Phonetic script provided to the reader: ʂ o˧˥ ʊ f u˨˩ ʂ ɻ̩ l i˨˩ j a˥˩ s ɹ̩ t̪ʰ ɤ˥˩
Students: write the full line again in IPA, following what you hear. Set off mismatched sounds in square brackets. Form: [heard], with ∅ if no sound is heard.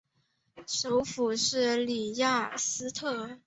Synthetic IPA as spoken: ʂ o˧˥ ʊ f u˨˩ ʂ ɻ̩ l i˨˩ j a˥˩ s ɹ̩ t̪ʰ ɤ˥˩